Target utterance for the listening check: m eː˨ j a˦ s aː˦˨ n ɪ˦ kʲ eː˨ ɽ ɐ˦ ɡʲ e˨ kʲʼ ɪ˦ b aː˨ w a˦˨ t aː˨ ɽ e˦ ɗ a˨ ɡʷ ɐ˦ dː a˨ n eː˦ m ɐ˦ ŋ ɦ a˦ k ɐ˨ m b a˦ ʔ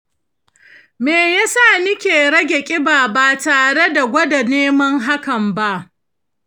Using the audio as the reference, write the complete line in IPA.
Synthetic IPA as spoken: m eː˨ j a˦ s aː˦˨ n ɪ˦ kʲ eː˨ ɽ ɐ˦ ɡʲ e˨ kʲʼ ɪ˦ b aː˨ b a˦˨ t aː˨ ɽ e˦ d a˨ ɡʷ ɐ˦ d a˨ n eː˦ m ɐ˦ ŋ ɦ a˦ k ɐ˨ m b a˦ ʔ

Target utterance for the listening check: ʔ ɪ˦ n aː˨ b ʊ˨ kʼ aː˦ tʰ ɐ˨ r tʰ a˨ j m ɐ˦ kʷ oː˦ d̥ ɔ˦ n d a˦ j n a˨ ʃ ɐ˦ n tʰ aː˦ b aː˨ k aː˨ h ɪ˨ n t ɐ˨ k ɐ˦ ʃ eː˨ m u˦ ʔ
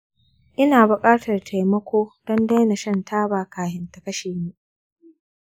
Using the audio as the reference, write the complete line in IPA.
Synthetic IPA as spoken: ʔ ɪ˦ n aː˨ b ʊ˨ kʼ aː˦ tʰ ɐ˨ r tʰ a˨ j m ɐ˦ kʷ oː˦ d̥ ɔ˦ n d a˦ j n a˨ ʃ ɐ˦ n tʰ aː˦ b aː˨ k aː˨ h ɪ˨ n t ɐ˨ k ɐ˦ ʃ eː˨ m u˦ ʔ

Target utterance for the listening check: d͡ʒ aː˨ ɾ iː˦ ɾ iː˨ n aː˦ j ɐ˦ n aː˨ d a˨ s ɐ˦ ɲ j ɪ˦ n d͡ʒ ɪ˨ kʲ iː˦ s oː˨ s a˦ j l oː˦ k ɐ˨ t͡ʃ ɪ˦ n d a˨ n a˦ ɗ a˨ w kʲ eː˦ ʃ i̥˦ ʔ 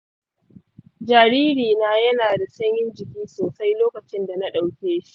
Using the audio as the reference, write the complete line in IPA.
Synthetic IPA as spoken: d͡ʒ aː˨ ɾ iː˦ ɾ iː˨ n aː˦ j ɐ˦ n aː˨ d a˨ s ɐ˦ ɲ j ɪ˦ n d͡ʒ ɪ˨ kʲ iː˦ s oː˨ s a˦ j l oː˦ k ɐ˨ t͡ʃ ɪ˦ n d a˨ n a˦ ɗ a˨ w kʲ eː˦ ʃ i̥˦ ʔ

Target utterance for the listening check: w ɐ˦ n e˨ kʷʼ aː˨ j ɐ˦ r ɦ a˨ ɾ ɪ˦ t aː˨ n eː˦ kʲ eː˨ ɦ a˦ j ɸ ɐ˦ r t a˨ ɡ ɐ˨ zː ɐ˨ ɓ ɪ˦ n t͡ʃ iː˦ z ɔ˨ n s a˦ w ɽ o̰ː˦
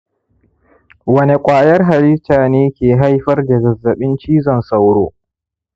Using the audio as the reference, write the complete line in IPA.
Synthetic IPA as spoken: w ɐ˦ n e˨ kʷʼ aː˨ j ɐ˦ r ɦ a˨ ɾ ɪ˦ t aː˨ n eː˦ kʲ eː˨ ɦ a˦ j ɸ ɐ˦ r d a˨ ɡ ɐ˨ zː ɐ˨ ɓ ɪ˦ n t͡ʃ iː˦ z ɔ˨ n s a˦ w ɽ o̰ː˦

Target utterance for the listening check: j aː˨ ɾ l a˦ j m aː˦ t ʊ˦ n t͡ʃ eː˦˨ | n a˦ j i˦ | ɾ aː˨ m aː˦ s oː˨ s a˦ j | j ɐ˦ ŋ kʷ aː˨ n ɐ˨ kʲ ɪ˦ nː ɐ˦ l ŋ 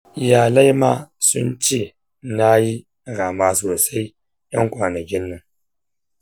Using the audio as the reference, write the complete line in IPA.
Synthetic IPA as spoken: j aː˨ l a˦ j m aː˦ s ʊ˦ n t͡ʃ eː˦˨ | n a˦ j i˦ | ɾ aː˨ m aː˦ s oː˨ s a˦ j | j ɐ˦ ŋ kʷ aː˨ n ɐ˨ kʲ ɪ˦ nː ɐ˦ ŋ

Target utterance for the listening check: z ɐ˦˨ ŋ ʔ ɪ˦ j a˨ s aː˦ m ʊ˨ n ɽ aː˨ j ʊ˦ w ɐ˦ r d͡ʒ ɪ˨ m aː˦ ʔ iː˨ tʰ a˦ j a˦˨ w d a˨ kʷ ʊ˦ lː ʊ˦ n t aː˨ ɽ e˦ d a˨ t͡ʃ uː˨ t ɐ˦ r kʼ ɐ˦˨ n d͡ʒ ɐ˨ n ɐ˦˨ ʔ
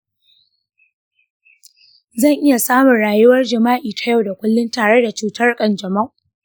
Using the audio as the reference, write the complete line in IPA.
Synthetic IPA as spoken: z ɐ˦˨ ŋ ʔ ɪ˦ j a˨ s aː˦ m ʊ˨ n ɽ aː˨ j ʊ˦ w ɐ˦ r d͡ʒ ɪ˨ m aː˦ ʔ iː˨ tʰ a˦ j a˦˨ w d a˨ kʷ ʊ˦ lː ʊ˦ n t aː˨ ɽ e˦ d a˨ t͡ʃ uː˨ t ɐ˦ r kʼ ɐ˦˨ n d͡ʒ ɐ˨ m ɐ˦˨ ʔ

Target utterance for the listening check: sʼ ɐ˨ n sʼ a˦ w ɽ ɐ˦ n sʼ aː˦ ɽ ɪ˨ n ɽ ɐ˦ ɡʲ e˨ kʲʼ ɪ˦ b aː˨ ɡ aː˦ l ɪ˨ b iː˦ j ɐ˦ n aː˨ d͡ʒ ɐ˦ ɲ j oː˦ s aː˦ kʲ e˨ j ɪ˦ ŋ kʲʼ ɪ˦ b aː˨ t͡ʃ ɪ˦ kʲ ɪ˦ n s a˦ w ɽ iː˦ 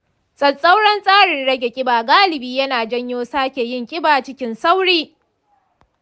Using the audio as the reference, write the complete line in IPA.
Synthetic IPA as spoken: sʼ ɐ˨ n sʼ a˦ w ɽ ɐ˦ n sʼ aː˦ ɽ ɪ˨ n ɽ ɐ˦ ɡʲ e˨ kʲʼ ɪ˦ b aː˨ ɡ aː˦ l ɪ˨ b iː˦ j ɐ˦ n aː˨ d͡ʒ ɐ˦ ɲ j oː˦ s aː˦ kʲ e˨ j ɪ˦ ŋ kʲʼ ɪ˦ b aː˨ t͡ʃ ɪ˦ kʲ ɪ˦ n s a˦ w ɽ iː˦

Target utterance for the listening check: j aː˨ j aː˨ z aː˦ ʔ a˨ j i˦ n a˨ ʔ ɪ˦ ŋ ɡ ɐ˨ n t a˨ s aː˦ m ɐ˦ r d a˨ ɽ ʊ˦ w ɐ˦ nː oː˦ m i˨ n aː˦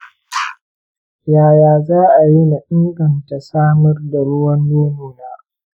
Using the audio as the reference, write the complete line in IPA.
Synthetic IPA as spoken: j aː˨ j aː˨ z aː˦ ʔ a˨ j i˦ n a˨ ʔ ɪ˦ ŋ ɡ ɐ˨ n t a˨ s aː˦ m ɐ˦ r d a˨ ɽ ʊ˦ w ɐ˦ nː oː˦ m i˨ n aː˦

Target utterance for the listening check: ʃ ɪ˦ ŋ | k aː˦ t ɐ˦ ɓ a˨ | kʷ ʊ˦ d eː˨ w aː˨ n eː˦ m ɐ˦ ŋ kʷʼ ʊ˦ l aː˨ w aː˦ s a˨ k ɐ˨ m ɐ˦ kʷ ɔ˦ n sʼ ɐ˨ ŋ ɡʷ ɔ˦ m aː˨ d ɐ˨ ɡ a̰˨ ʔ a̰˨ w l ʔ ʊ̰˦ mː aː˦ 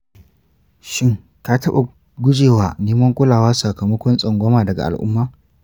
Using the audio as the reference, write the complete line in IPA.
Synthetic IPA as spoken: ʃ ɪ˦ ŋ | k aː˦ t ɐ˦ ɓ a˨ | ɡʷ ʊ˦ d͡ʒ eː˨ w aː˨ n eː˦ m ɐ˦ ŋ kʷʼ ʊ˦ l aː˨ w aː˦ s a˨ k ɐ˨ m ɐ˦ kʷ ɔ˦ n sʼ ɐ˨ ŋ ɡʷ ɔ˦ m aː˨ d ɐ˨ ɡ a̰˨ ʔ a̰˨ l ʔ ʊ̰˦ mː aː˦

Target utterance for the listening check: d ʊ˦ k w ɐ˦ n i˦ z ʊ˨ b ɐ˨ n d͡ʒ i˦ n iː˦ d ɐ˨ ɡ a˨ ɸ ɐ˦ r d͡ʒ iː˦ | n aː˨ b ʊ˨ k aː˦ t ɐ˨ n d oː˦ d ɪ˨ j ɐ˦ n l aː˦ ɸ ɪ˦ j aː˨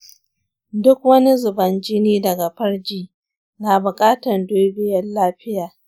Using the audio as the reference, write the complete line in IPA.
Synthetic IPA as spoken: d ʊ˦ k w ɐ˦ n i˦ z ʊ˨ b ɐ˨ n d͡ʒ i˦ n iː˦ d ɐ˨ ɡ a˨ ɸ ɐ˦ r d͡ʒ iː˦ | n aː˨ b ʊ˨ kʼ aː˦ t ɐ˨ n d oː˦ b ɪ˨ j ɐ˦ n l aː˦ ɸ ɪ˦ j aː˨

